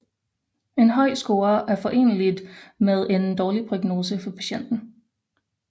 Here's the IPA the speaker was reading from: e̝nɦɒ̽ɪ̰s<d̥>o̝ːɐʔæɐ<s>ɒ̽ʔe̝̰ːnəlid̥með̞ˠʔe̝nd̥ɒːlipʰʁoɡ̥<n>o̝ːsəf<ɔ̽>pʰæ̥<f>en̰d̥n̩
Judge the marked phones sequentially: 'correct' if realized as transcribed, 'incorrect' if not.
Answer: incorrect: ɡ̥, incorrect: f, correct, incorrect: ɒ̽, incorrect: ɕ

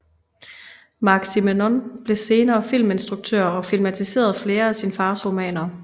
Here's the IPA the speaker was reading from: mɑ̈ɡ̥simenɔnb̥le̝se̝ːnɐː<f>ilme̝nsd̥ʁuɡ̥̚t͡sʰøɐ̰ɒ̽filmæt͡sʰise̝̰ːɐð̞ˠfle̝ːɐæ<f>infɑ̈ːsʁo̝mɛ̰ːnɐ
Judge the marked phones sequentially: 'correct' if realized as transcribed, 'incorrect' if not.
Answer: correct, incorrect: s

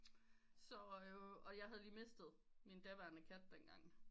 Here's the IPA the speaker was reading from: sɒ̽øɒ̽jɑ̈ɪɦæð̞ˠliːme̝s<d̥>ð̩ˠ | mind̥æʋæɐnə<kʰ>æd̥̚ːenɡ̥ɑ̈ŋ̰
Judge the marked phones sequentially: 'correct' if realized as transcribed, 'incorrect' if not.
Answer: correct, correct

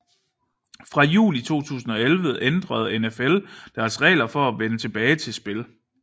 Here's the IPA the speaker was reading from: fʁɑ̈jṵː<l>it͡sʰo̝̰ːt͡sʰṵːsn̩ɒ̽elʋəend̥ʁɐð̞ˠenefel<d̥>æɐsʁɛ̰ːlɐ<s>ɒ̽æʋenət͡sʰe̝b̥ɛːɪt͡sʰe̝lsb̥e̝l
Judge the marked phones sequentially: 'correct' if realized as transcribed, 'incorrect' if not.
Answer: correct, correct, incorrect: f

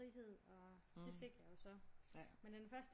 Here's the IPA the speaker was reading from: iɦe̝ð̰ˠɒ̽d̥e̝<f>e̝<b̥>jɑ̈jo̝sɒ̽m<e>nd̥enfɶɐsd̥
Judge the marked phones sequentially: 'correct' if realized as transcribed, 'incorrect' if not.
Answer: correct, incorrect: ɡ̥, correct

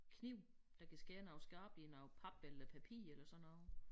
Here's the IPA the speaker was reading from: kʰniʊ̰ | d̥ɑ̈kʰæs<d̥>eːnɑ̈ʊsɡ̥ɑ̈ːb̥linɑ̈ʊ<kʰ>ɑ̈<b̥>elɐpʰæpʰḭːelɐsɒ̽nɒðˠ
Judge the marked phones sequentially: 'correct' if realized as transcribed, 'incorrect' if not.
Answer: incorrect: ɡ̥, incorrect: pʰ, correct

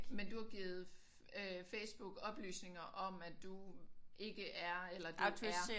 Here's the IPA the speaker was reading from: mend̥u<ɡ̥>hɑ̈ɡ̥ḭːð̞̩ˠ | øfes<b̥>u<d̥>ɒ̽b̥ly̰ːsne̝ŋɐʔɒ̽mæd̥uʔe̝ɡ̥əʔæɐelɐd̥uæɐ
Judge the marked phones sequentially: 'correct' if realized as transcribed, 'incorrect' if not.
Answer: incorrect: none, correct, incorrect: ɡ̥

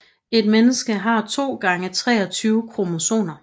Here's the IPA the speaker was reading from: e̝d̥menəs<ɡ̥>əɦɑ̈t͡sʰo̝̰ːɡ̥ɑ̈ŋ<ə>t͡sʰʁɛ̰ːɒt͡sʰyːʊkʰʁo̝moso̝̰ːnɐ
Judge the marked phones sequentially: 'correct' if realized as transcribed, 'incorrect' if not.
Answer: correct, correct

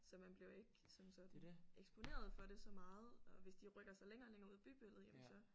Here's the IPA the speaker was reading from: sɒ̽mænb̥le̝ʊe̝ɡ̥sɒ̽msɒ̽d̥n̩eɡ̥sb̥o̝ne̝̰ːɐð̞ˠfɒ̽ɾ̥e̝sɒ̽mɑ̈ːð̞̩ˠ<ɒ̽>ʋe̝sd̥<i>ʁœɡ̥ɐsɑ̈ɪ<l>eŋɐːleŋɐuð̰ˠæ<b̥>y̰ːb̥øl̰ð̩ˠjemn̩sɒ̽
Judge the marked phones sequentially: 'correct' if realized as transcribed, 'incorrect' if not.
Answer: correct, correct, correct, correct

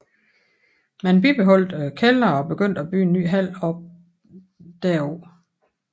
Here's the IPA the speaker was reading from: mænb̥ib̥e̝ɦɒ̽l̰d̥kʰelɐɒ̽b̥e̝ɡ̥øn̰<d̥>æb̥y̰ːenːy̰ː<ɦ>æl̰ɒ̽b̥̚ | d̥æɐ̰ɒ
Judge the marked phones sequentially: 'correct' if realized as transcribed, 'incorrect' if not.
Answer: correct, correct

